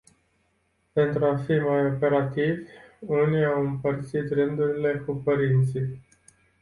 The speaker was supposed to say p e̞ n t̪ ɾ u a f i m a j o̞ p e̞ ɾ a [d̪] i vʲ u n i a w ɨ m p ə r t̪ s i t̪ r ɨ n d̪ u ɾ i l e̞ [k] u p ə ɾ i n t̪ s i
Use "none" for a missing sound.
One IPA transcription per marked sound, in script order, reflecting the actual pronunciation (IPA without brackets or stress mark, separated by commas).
t̪, k